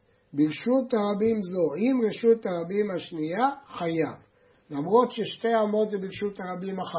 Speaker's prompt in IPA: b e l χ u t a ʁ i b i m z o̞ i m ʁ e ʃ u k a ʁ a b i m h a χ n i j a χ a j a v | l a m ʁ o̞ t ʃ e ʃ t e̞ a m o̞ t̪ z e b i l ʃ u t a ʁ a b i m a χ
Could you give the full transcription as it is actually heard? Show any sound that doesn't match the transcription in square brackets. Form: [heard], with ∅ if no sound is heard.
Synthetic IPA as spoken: b [i] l [ʃ] u t a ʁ [a] b i m z o̞ i m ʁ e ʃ u [t] a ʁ a b i m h a [ʃ] n i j a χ a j a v | l a m ʁ o̞ t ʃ e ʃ t e̞ a m o̞ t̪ z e b i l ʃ u t a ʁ a b i m a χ